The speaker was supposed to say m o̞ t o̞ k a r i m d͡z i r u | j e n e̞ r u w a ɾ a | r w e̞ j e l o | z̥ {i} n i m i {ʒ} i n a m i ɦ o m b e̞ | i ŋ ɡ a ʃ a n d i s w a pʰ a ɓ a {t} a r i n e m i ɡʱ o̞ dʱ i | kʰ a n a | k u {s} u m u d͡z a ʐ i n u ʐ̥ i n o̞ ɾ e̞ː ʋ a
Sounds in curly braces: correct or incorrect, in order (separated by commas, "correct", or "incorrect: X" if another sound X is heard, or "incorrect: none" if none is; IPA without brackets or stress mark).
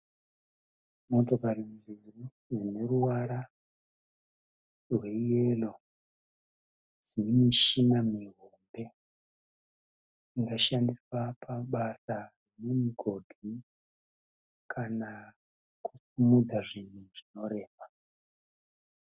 correct, incorrect: ʃ, incorrect: s, correct